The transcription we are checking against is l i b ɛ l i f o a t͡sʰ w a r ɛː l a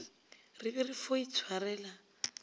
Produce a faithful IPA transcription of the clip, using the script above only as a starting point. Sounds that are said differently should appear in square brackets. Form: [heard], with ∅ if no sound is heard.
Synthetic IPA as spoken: [r] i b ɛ [r] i f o [i] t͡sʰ w a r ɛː l a